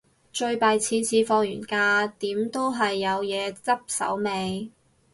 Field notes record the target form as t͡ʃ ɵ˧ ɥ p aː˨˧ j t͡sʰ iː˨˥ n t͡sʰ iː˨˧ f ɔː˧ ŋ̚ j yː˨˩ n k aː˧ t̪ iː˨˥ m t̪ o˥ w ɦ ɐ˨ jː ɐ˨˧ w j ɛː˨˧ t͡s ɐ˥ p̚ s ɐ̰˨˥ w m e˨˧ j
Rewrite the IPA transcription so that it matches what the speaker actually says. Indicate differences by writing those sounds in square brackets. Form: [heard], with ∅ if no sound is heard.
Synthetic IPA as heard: t͡ʃ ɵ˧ ɥ p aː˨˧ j t͡sʰ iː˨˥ n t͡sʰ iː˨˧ f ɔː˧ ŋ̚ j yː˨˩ n k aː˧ t̪ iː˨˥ m t̪ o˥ w ɦ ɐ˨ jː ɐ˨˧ w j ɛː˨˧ t͡s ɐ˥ p̚ s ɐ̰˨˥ w m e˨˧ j

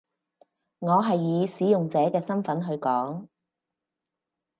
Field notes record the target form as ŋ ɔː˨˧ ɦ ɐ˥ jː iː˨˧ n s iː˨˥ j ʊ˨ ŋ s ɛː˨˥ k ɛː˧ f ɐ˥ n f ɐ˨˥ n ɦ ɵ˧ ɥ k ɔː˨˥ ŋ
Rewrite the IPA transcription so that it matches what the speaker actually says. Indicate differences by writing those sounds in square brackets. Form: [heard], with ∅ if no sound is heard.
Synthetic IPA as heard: ŋ ɔː˨˧ ɦ [ɐ˨] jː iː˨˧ [∅] s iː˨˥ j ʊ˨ ŋ [t͡s] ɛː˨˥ k ɛː˧ [s] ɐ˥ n f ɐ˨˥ n ɦ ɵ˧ ɥ k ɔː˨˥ ŋ

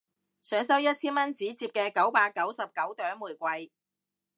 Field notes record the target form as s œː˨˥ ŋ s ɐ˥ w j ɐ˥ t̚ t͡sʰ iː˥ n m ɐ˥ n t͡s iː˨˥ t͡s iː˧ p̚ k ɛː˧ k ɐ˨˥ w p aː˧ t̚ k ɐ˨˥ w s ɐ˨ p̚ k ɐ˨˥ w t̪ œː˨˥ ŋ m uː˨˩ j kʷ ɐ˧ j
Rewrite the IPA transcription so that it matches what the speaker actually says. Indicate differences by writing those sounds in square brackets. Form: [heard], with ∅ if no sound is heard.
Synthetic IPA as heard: s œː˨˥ ŋ s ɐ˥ w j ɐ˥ t̚ t͡sʰ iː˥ n m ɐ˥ n t͡s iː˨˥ t͡s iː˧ p̚ k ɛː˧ k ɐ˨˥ w p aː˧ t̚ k ɐ˨˥ w s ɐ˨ p̚ k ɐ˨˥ w t̪ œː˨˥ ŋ m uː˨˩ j kʷ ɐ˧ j

